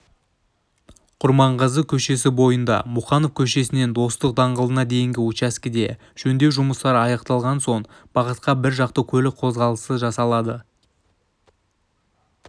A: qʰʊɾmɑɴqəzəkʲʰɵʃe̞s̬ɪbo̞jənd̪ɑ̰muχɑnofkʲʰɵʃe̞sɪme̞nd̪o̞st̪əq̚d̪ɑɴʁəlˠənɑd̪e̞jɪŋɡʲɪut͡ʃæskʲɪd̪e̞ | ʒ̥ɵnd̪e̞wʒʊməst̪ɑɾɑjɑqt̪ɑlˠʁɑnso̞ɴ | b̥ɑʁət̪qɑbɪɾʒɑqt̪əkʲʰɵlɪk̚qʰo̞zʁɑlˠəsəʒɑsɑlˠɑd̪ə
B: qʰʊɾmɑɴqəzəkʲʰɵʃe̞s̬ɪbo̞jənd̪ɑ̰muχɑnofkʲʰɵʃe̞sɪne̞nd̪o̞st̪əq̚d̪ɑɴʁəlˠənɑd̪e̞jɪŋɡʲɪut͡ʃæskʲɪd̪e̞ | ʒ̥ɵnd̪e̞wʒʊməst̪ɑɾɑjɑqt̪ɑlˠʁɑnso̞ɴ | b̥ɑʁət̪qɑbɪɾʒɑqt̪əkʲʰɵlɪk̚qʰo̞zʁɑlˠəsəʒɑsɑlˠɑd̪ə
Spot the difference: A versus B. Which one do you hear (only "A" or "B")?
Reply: B